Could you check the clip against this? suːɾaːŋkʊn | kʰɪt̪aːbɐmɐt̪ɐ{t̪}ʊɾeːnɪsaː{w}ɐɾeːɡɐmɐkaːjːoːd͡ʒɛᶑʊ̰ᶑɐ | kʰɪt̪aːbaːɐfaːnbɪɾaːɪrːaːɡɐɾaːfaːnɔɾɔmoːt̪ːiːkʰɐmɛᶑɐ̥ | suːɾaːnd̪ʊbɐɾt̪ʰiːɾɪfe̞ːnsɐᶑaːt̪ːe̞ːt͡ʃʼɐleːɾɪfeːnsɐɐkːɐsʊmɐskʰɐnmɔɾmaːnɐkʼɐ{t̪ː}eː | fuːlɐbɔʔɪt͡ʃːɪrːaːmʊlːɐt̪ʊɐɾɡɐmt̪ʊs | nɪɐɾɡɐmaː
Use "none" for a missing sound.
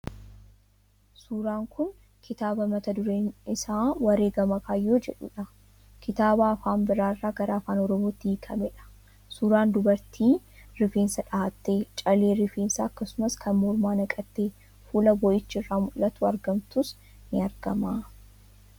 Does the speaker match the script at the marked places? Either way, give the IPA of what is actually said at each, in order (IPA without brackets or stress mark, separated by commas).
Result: d̪, w, t̪ː